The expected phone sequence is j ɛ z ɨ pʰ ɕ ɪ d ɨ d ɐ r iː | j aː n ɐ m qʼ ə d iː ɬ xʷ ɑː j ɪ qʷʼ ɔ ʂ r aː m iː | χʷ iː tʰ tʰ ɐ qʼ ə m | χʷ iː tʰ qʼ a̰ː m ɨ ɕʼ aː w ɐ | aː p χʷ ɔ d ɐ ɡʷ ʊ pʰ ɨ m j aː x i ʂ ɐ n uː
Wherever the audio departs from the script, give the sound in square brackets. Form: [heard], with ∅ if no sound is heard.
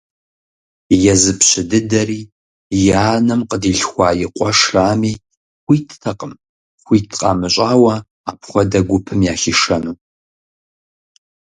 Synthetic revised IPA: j ɛ z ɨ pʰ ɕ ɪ d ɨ d ɐ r iː | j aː n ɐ m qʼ ə d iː ɬ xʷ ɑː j ɪ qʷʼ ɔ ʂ r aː m iː | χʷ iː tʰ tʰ ɐ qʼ ə m | χʷ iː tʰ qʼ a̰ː m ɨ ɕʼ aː w ɐ | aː p χʷ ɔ d ɐ ɡʷ ʊ pʰ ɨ m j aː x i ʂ ɐ n uː